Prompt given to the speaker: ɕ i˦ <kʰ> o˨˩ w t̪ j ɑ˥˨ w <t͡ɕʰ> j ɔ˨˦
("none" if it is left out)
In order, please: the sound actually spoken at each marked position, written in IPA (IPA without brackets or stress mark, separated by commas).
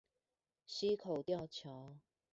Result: kʰ, t͡ɕʰ